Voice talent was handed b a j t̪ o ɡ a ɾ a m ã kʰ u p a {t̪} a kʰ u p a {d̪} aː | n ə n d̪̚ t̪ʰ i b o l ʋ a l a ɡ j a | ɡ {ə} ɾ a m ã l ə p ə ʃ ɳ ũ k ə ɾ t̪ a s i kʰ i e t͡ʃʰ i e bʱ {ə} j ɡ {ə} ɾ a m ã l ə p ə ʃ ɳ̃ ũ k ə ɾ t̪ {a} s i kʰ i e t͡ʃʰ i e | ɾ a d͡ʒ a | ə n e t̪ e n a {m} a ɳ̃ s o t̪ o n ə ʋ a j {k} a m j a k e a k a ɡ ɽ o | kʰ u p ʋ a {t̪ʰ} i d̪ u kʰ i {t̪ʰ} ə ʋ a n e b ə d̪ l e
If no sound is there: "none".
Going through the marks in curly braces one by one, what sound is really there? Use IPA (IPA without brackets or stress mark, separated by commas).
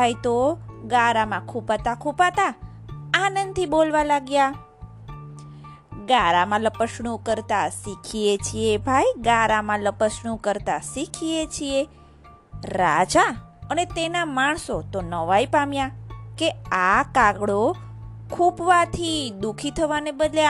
t̪, t̪, a, a, a, a, m, p, t̪ʰ, t̪ʰ